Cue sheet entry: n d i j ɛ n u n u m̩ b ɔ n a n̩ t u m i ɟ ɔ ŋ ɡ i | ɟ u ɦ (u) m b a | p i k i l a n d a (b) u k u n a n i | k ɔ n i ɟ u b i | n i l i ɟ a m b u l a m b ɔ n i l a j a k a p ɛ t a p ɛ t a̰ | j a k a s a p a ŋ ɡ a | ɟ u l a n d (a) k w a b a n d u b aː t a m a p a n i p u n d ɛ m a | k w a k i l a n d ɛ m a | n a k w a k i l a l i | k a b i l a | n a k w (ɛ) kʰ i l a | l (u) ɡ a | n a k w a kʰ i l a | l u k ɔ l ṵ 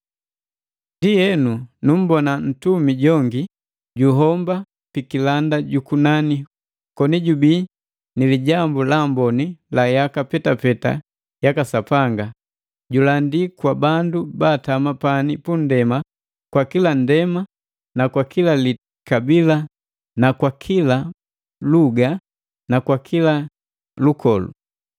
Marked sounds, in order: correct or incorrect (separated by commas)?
incorrect, incorrect, incorrect, incorrect, correct